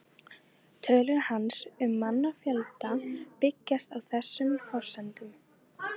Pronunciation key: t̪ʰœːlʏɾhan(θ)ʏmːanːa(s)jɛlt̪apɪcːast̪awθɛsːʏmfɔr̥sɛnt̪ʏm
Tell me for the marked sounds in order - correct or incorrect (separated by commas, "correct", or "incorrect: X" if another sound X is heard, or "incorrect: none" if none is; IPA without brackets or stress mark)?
incorrect: s, incorrect: f